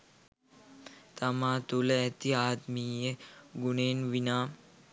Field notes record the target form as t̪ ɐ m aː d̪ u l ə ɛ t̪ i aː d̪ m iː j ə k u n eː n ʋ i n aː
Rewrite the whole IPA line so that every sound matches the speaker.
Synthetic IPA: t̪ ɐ m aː t̪ u l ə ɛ t̪ i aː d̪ m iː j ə ɡ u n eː n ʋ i n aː